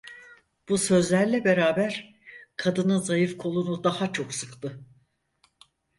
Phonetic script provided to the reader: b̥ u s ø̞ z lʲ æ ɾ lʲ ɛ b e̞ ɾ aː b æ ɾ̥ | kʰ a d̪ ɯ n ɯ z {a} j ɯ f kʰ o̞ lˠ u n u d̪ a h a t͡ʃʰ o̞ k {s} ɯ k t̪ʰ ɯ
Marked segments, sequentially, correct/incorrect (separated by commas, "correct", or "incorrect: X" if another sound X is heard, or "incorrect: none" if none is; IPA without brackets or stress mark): correct, correct